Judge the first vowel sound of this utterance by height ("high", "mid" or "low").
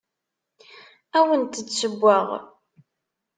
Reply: low